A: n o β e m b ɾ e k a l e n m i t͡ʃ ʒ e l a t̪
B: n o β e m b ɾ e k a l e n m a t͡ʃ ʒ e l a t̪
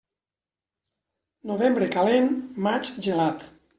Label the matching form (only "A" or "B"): B